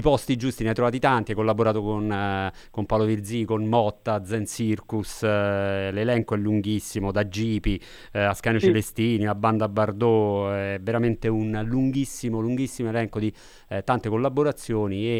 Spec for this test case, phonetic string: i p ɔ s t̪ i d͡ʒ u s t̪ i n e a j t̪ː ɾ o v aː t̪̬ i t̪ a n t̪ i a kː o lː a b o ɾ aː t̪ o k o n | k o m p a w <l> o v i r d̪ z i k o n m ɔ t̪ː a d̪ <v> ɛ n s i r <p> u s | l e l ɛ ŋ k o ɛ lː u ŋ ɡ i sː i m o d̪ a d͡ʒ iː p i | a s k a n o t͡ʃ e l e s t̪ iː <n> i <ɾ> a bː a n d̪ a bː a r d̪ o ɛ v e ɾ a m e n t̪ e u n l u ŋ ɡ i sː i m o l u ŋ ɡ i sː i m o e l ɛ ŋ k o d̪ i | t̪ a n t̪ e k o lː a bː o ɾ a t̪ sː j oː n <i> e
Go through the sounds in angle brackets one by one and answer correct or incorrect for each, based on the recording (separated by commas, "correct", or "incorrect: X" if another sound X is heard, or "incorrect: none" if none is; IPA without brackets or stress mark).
correct, incorrect: z, incorrect: k, correct, incorrect: l, correct